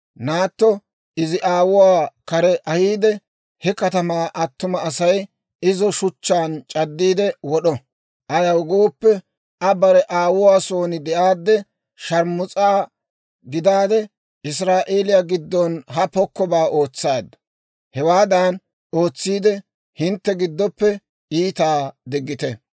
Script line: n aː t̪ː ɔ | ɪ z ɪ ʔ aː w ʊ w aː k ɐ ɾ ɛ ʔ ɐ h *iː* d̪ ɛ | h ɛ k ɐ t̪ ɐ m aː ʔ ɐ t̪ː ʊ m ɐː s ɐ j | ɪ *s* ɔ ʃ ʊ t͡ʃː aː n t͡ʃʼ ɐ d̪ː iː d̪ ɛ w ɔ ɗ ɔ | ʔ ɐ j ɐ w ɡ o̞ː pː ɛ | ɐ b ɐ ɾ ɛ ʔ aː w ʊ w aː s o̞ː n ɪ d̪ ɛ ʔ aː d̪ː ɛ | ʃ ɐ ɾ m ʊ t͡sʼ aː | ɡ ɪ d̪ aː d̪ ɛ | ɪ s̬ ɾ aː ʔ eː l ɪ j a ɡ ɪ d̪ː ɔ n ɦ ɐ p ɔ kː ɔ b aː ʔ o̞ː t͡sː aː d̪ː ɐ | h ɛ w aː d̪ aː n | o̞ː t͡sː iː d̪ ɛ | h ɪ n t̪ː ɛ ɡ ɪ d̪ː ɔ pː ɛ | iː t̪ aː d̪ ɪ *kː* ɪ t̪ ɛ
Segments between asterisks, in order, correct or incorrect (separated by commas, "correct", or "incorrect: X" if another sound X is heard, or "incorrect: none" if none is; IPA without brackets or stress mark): correct, incorrect: z, incorrect: ɡː